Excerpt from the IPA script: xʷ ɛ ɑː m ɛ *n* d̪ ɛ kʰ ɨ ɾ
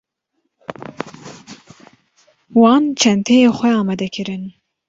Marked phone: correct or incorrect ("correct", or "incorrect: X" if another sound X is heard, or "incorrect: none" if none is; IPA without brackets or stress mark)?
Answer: incorrect: none